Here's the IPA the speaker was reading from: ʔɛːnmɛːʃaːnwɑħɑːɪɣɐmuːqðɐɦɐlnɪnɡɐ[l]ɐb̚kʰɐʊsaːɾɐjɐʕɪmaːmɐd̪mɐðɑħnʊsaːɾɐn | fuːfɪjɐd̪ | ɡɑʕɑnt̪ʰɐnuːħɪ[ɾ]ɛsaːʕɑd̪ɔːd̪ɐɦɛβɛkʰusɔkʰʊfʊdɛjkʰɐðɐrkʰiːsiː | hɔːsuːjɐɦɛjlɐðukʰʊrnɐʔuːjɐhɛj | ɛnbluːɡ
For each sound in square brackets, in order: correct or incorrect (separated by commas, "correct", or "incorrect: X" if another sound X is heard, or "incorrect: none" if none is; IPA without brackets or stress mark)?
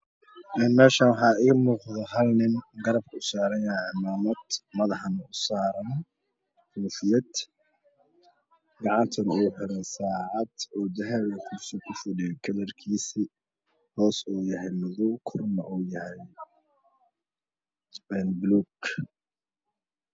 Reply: incorrect: ɾ, correct